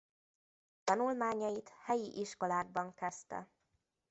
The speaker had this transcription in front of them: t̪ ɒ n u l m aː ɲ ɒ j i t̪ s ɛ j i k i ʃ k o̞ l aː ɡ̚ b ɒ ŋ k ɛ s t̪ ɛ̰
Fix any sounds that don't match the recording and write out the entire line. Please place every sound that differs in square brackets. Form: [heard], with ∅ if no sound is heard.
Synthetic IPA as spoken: t̪ ɒ n u l m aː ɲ ɒ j i t̪ [h] ɛ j i [ʔ] i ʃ k o̞ l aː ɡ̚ b ɒ ŋ k ɛ s t̪ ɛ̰